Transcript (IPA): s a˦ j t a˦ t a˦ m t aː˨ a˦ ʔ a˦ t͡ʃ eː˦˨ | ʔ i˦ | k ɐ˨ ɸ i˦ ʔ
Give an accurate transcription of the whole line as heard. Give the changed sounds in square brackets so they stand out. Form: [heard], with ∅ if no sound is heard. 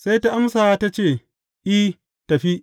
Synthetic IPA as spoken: s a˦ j t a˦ [ʔ] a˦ m [s] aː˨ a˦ [t] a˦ t͡ʃ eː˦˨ | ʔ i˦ | [t] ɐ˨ ɸ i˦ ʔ